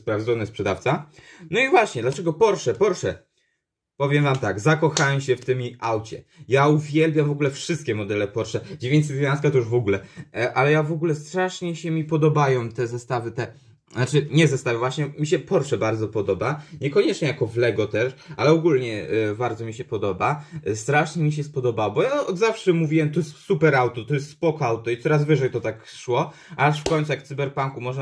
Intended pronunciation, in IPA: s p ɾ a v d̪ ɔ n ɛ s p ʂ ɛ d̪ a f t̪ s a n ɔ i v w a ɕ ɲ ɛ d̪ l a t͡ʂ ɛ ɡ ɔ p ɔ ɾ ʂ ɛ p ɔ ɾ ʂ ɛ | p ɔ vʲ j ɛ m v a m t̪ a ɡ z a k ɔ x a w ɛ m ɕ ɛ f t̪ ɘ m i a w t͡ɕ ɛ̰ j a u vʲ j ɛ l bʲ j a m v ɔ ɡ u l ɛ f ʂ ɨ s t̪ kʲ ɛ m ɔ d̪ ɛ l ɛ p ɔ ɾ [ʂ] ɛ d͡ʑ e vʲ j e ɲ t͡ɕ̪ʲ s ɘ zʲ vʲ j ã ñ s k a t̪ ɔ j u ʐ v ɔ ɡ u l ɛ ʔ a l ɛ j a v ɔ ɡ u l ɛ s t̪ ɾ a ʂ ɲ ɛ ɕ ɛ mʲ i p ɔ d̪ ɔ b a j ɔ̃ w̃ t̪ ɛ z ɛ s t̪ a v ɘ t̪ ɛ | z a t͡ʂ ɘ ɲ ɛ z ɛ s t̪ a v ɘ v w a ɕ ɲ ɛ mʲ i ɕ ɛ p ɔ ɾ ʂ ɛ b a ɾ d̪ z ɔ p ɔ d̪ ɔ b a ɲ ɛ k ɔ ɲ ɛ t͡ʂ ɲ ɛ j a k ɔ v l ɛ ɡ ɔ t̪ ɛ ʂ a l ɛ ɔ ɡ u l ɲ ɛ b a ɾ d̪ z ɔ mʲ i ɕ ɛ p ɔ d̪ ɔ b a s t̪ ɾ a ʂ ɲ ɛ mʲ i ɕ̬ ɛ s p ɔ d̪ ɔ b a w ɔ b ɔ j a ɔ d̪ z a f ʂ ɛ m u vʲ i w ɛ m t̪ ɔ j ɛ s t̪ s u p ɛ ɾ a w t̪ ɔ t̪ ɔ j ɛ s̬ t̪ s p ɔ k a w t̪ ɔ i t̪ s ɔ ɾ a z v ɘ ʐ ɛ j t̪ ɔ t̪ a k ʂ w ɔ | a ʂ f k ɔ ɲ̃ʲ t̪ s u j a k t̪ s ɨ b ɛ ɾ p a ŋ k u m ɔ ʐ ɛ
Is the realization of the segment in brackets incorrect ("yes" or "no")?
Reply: no